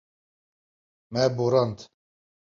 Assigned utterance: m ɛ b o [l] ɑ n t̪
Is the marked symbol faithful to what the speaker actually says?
no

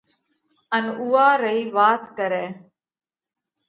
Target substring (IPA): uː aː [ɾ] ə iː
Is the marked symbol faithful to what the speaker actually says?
yes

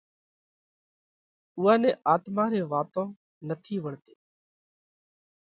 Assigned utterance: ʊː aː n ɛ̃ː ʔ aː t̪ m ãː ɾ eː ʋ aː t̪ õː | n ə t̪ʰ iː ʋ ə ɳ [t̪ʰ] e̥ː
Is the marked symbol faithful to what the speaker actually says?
no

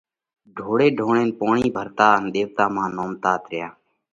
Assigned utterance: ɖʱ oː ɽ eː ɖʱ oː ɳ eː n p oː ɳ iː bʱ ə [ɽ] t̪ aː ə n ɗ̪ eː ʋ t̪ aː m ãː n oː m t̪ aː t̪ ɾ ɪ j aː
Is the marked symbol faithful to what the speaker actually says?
no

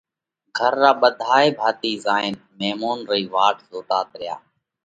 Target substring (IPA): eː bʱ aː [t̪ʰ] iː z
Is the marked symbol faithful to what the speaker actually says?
no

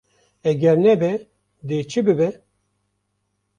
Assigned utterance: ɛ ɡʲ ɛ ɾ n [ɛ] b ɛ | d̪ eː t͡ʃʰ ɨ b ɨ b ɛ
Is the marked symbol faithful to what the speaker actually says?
yes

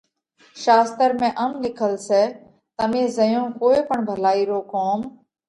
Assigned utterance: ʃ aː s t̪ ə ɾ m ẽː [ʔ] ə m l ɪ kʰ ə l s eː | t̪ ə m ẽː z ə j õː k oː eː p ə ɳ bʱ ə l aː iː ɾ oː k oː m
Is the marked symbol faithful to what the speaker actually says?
yes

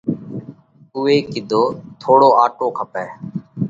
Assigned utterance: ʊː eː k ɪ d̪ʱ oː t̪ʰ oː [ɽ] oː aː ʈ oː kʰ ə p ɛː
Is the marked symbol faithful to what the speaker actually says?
yes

